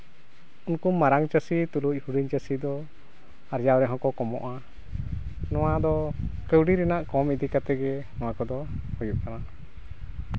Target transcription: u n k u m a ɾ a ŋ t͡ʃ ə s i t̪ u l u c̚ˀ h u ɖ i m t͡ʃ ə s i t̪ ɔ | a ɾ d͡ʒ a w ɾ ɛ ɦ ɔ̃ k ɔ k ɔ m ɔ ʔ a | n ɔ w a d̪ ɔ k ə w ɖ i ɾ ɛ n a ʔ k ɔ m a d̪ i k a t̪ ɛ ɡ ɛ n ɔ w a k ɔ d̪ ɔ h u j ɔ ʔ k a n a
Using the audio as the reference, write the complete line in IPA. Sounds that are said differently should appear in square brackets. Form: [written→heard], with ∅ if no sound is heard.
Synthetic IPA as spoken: u n k u m a ɾ a ŋ t͡ʃ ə s i t̪ u l u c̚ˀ h u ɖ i [m→ɲ] t͡ʃ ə s i [t̪→d̪] ɔ | a ɾ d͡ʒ a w ɾ ɛ ɦ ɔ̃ k ɔ k ɔ m ɔ ʔ a | n ɔ w a d̪ ɔ k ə w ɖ i ɾ ɛ n a ʔ k ɔ m [a→i] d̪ i k a t̪ ɛ ɡ ɛ n ɔ w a k ɔ d̪ ɔ h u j [ɔ→u] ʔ k a n a